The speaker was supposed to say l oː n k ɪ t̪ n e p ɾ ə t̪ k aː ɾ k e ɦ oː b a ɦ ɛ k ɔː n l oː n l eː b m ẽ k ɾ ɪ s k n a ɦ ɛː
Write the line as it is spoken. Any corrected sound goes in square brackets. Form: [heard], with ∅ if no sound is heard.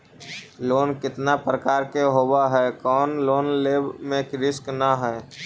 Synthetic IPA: l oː n k ɪ t̪ n [a] p ɾ ə [∅] k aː ɾ k e ɦ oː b a ɦ ɛ k ɔː n l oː n l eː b m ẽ k ɾ ɪ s k n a ɦ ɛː

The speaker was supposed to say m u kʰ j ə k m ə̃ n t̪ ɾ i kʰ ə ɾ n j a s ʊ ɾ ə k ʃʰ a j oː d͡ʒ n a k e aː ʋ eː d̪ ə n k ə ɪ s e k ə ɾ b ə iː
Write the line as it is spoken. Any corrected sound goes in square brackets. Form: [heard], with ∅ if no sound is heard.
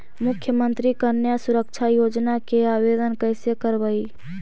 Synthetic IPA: m [ʊ] kʰ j ə [∅] m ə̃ n t̪ ɾ i [k] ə ɾ n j a s ʊ ɾ ə k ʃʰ a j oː d͡ʒ n a k e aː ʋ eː d̪ ə n k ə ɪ s e k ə ɾ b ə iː

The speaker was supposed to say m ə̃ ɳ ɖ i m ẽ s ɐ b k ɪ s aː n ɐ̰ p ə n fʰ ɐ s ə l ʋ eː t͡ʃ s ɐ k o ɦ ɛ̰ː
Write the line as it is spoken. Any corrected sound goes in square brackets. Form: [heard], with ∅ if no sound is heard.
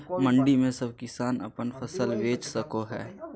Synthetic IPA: m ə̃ ɳ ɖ i m ẽ s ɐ b k ɪ s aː n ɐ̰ p ə n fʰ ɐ s ə l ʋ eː t͡ʃ s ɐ k o ɦ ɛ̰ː

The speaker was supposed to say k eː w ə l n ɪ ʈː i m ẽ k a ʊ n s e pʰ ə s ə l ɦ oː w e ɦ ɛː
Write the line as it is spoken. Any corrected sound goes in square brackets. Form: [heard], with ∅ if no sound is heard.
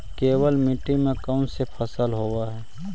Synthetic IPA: k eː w ə l [m] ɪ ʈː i m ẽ k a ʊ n s e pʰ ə s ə l ɦ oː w [a] ɦ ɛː

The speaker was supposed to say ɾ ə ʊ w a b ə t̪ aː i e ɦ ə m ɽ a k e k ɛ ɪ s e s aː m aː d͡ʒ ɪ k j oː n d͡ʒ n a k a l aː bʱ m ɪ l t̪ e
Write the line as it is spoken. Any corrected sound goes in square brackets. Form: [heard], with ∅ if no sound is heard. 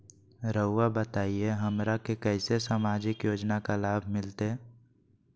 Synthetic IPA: ɾ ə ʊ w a b ə t̪ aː i e ɦ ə m [ɾ] a k e k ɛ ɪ s e s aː m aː d͡ʒ ɪ k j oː [∅] d͡ʒ n a k a l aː bʱ m ɪ l t̪ e

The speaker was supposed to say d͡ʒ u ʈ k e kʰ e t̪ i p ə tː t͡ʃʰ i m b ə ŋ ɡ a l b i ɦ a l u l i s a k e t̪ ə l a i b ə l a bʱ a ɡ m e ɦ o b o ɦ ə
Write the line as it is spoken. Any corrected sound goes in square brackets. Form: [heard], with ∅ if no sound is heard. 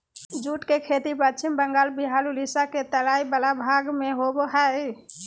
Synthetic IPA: d͡ʒ u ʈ k e kʰ e t̪ i p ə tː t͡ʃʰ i m b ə ŋ ɡ a l b i ɦ a l u l i s a k e t̪ ə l a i b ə l a bʱ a ɡ m e ɦ o b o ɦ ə

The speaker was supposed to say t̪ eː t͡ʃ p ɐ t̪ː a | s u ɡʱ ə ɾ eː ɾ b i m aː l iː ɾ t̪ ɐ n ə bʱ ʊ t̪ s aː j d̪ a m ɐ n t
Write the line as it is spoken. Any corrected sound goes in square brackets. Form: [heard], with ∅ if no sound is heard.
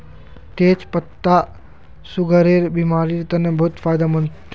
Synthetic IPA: t̪ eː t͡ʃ p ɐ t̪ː a | s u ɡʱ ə ɾ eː ɾ b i m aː [ɾ] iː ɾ t̪ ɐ n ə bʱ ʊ t̪ [f] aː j d̪ a m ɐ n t

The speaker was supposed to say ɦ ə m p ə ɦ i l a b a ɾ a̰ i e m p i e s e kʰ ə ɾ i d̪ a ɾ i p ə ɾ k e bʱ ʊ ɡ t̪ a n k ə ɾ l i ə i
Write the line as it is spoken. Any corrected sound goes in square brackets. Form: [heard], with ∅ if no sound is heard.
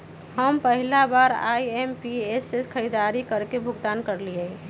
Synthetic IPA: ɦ ə m p ə ɦ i l a b a ɾ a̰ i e m p i e s e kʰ ə ɾ i d̪ a ɾ i [k] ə ɾ k e bʱ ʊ ɡ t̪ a n k ə ɾ l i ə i

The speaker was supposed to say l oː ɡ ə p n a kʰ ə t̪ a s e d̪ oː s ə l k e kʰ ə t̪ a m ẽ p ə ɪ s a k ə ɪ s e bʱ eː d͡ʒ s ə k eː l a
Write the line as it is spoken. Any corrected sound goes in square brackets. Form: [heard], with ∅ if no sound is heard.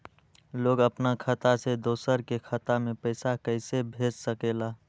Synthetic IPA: l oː ɡ ə p n a kʰ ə t̪ a s e d̪ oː s ə [ɾ] k e kʰ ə t̪ a m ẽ p ə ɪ s a k ə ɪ s e bʱ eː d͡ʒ s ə k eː l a

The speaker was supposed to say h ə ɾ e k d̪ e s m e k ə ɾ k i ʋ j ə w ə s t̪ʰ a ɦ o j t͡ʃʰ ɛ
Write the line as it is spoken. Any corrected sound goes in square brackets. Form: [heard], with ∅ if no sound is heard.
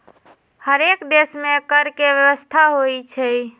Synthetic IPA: h ə ɾ e k d̪ e s m e k ə ɾ k [e] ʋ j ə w ə s t̪ʰ a ɦ o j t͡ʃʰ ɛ

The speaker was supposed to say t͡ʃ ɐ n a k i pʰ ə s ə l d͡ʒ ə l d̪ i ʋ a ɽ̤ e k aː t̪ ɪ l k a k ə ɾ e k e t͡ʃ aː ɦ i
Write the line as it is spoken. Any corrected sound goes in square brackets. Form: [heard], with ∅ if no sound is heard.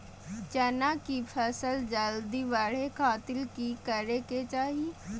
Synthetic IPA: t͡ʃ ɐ n a k i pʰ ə s ə l d͡ʒ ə l d̪ i ʋ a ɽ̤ e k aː t̪ ɪ l k [i] k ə ɾ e k e t͡ʃ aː ɦ i

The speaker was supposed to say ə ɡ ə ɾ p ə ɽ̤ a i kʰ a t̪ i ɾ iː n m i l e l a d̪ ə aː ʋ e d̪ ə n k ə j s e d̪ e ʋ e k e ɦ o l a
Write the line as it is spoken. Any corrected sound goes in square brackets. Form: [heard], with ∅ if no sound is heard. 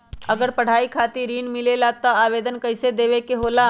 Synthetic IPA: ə ɡ ə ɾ p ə ɽ̤ a i kʰ a t̪ i ɾ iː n m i l e l a [t̪] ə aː ʋ e d̪ ə n k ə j s e d̪ e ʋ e k e ɦ o l a

